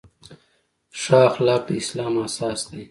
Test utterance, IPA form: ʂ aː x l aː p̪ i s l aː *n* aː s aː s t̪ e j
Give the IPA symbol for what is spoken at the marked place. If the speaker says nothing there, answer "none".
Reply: m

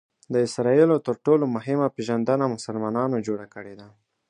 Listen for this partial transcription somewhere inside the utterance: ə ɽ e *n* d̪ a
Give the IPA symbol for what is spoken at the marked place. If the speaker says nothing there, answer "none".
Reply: none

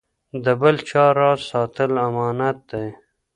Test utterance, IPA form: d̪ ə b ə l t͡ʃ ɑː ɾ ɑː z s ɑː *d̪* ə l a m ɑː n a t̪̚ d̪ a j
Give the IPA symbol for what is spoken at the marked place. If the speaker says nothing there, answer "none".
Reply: t̪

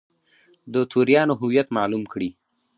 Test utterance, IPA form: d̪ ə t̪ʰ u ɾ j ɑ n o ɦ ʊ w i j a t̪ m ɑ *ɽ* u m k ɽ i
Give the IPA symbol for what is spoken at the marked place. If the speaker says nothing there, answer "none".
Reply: l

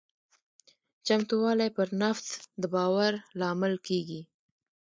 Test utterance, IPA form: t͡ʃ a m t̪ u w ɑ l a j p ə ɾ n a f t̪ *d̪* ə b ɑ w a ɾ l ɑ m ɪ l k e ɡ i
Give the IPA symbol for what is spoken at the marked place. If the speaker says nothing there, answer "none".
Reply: d̪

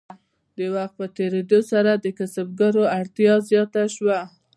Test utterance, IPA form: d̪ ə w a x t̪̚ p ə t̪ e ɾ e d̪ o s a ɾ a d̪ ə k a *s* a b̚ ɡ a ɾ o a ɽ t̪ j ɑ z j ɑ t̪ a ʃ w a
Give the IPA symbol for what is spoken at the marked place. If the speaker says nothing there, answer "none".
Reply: s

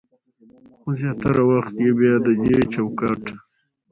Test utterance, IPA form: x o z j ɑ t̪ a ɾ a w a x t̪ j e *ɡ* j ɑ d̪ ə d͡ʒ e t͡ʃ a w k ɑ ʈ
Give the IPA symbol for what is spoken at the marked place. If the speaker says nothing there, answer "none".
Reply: b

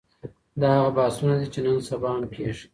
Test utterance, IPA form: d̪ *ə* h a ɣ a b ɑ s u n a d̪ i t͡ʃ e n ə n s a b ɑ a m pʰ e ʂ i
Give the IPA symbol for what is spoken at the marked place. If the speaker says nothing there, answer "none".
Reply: ɑ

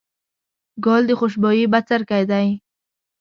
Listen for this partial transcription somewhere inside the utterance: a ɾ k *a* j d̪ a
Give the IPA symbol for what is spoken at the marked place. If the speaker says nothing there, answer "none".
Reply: a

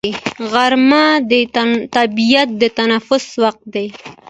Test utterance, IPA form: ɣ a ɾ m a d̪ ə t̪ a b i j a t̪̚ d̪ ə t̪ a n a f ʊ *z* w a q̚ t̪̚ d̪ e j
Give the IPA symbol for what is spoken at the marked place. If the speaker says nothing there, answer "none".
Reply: s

